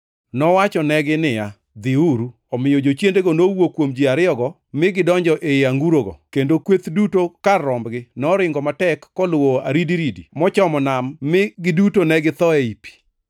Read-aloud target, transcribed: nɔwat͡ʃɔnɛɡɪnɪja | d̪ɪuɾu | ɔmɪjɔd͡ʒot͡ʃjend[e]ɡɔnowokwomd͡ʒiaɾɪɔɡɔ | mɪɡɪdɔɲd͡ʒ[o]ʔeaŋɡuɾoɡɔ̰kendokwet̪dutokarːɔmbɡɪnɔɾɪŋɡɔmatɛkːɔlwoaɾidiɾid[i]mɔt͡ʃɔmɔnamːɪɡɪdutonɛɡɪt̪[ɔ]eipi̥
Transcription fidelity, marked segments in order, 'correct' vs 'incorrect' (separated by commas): correct, incorrect, correct, correct